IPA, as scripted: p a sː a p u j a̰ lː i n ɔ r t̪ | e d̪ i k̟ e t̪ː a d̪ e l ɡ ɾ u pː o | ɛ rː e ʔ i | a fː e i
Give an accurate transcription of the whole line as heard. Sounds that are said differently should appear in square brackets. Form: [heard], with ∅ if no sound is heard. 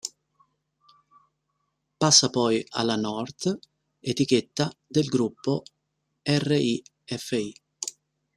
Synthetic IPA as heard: p a sː a p [ɔ] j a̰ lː [a] n ɔ r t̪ | e [t̪] i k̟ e t̪ː a d̪ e l ɡ ɾ u pː o | ɛ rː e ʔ i | [ɛ] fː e i